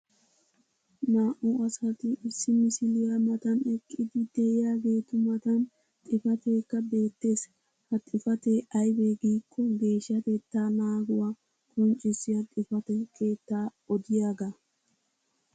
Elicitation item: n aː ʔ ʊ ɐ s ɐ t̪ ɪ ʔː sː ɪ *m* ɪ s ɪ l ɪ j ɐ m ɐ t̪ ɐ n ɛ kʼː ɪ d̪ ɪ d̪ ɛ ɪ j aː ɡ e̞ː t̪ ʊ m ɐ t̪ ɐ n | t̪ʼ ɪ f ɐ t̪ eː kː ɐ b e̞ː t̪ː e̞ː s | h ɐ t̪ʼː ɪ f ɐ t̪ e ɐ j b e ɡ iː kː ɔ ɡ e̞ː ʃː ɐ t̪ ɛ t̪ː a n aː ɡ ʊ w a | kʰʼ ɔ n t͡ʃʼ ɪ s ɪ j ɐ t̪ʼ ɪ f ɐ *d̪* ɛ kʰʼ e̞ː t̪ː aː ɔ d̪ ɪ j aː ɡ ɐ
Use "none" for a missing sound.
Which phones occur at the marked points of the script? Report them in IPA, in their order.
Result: m, t̪

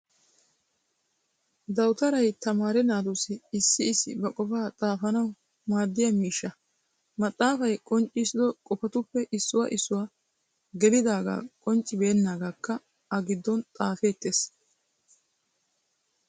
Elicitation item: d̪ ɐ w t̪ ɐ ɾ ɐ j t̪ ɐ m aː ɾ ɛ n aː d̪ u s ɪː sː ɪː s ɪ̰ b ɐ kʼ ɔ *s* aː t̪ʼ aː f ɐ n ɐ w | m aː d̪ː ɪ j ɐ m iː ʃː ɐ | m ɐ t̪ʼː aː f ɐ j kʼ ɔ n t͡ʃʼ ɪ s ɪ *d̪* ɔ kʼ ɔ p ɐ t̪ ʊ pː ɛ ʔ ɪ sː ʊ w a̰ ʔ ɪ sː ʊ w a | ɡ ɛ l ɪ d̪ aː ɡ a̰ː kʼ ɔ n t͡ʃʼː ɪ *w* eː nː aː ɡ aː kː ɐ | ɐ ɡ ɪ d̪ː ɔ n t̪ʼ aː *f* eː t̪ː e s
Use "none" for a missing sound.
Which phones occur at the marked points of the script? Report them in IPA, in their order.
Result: f, d̪, b, f

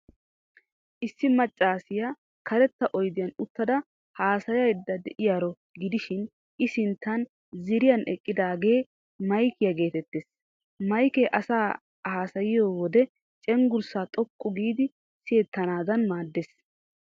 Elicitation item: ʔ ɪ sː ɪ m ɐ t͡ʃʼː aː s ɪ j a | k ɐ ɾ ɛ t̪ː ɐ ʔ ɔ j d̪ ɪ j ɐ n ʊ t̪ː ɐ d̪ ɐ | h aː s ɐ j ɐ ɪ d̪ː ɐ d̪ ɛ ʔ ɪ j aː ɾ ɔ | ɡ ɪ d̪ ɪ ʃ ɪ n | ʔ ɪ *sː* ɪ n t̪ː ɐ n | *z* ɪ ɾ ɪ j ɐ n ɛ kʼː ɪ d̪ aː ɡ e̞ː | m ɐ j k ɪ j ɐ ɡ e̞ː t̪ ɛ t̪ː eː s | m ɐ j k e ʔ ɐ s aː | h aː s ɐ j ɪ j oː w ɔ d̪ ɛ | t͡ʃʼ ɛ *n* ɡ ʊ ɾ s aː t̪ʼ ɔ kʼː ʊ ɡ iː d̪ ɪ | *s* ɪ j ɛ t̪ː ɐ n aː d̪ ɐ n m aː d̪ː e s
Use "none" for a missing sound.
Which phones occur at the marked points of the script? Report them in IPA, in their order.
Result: s, z, ŋ, s

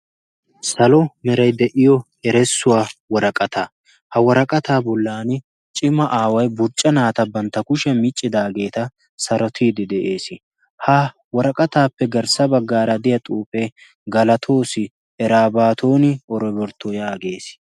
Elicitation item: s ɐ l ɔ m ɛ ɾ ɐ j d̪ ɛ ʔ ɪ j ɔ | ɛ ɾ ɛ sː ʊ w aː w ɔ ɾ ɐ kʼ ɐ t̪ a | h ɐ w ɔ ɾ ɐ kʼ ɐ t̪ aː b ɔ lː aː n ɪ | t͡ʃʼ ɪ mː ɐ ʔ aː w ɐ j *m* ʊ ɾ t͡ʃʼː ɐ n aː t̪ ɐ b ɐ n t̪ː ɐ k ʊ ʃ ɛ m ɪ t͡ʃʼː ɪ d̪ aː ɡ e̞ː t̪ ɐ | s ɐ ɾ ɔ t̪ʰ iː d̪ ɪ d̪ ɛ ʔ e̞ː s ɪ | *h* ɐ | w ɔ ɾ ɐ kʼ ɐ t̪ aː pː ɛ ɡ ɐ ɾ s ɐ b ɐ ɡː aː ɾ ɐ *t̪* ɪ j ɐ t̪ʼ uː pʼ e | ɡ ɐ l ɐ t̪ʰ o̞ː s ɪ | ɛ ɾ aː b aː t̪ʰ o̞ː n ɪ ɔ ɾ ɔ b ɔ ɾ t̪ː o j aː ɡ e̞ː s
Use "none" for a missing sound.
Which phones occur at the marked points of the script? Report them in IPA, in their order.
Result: b, h, d̪

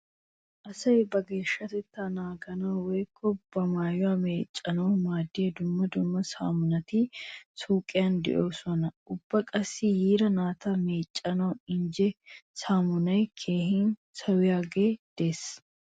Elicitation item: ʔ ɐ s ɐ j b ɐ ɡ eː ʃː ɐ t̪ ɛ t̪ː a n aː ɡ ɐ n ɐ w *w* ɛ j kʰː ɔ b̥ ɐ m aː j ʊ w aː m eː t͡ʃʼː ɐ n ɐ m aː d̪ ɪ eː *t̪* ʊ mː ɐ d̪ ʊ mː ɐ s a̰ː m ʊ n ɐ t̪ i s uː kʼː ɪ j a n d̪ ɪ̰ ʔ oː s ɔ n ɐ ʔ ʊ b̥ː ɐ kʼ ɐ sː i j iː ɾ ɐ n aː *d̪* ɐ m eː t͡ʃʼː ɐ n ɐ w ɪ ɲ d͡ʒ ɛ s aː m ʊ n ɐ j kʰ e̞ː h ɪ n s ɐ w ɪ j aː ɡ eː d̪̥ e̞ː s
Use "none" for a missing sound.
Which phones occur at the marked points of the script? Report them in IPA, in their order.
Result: w, d̪, t̪

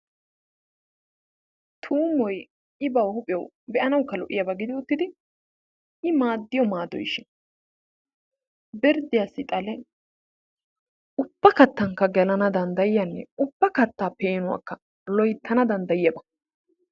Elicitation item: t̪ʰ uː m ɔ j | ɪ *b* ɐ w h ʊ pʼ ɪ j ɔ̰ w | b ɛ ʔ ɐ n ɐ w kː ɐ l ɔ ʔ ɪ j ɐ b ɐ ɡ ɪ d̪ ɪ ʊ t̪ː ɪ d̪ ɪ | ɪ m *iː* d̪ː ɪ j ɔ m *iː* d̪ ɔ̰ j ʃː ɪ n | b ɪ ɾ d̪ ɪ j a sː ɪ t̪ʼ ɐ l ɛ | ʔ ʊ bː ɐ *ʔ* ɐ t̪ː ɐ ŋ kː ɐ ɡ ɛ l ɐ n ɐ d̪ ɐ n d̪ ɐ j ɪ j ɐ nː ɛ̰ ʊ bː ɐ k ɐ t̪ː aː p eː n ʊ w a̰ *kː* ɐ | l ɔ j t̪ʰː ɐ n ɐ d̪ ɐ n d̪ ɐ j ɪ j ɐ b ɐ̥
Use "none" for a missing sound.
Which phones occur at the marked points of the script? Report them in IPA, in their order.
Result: b, aː, aː, k, kː

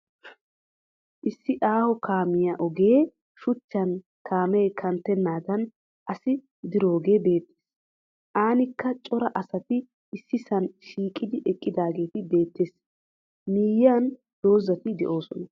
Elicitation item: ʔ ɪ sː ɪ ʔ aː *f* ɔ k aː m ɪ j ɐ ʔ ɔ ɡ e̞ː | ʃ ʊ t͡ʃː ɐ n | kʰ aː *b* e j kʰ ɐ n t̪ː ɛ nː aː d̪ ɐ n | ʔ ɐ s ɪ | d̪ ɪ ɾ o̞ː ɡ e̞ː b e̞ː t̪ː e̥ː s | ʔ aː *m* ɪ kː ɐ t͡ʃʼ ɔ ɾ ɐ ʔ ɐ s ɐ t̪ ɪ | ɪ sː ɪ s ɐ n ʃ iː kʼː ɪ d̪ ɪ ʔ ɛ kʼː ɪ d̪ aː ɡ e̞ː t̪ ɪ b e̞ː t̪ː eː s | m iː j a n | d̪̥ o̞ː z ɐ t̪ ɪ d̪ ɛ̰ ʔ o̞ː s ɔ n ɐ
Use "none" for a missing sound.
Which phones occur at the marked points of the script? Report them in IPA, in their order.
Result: h, m, n

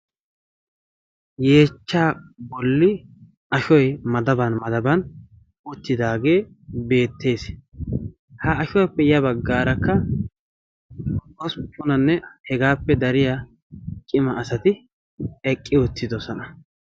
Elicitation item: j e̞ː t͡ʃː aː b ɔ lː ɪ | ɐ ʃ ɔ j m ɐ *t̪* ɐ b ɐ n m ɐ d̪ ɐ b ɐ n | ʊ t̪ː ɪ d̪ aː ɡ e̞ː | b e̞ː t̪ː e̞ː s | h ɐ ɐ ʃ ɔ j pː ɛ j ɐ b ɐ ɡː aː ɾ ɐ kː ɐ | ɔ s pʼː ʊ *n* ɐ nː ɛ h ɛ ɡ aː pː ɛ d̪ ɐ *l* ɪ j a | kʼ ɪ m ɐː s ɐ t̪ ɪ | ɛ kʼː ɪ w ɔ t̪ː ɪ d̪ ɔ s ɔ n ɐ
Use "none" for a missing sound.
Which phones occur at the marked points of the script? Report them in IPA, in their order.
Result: d̪, n, ɾ

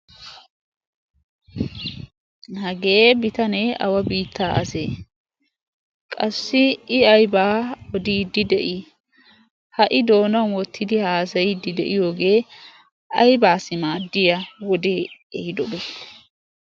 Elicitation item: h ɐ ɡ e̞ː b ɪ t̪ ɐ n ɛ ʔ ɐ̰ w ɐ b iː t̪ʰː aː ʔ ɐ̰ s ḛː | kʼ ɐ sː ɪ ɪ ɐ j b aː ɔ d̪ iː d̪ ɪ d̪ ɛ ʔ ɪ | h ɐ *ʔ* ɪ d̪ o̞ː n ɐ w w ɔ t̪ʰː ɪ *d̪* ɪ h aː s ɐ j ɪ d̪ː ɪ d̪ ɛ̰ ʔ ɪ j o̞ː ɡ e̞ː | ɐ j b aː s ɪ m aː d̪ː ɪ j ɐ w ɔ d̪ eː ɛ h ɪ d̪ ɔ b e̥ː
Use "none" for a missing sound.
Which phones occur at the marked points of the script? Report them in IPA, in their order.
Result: ʔ, d̪

